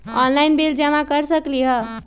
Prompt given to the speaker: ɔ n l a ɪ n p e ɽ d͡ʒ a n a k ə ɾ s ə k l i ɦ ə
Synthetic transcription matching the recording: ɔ n l a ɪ n b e l d͡ʒ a m a k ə ɾ s ə k l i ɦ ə